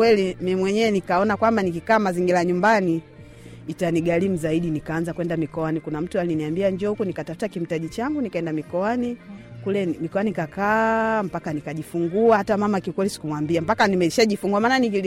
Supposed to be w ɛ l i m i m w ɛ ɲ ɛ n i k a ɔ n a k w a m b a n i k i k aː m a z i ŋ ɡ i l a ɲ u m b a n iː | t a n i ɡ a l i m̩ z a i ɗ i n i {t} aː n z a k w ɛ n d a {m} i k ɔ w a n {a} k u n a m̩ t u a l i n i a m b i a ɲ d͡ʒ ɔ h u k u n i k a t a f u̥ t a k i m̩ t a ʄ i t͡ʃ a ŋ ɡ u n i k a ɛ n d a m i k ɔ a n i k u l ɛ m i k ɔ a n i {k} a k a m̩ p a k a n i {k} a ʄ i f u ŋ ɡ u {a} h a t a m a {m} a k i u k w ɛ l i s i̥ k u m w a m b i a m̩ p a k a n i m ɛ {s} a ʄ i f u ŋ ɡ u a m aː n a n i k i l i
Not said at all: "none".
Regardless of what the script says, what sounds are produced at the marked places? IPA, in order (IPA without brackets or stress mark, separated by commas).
k, m, i, k, k, a, m, ʃ